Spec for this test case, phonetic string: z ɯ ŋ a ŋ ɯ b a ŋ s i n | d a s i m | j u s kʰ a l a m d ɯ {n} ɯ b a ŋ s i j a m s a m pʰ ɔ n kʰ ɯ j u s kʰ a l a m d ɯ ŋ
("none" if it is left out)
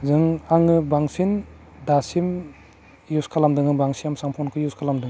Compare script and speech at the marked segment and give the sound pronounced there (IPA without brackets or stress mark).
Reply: ŋ